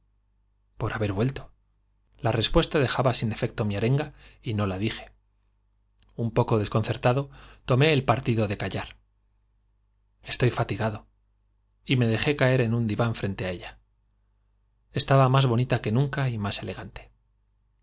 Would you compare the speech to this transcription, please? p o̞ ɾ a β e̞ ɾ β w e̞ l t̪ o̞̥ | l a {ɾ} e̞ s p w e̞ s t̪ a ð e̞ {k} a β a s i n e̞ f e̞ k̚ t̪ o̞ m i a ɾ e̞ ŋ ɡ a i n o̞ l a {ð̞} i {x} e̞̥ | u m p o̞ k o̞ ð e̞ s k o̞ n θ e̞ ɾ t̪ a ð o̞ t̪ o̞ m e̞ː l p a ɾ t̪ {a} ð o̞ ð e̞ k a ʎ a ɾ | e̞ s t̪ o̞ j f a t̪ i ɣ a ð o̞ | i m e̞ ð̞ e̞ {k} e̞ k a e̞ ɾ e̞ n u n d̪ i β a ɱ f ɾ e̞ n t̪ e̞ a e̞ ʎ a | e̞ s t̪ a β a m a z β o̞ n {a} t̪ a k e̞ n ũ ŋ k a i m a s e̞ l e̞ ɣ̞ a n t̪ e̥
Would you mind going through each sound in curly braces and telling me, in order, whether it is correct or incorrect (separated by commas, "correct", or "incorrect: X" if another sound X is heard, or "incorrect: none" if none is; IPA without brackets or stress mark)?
incorrect: r, incorrect: x, correct, correct, incorrect: i, incorrect: x, incorrect: i